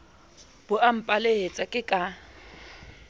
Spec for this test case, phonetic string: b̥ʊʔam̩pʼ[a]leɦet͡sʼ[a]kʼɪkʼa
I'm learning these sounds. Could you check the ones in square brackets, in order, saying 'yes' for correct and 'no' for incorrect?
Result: yes, yes

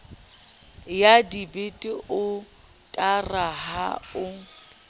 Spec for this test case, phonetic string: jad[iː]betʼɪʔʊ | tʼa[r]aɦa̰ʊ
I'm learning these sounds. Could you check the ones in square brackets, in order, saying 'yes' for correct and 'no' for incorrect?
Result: no, yes

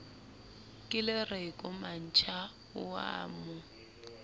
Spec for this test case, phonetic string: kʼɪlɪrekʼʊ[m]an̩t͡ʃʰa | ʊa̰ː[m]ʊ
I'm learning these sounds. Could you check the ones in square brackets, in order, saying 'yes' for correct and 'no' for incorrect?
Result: yes, yes

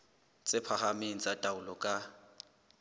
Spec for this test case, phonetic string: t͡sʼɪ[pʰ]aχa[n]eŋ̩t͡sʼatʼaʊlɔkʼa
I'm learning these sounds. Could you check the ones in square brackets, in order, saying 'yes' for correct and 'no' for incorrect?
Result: yes, no

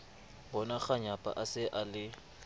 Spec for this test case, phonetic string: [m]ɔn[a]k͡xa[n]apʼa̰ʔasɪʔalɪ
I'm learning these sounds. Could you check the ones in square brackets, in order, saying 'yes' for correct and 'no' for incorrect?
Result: no, yes, no

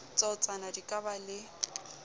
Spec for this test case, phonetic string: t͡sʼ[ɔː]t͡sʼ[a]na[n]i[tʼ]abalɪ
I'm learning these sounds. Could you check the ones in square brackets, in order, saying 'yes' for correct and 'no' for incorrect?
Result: no, yes, no, no

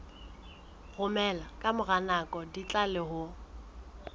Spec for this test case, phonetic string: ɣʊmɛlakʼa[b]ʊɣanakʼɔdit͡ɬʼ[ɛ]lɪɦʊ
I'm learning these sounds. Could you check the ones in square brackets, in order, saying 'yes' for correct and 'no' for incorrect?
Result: no, no

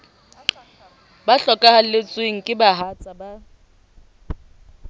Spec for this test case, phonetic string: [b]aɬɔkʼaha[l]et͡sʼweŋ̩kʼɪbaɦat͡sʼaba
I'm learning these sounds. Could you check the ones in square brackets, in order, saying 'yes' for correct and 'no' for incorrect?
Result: yes, yes

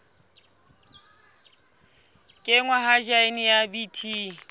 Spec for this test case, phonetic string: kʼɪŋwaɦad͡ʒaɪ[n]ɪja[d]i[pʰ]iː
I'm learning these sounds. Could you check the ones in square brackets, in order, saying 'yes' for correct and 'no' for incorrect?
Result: yes, no, no

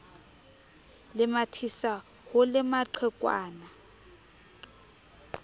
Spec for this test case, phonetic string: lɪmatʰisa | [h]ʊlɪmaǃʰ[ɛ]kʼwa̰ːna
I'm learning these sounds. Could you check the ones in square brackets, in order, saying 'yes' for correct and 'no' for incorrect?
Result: yes, yes

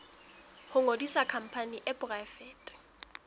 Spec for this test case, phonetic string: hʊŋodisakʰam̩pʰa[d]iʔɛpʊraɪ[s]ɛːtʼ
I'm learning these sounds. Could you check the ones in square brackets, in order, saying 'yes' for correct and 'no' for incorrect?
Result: no, no

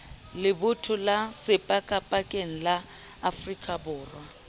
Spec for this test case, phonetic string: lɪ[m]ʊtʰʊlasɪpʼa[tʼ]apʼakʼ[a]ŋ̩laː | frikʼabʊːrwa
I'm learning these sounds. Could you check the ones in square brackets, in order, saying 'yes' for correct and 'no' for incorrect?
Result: no, no, no

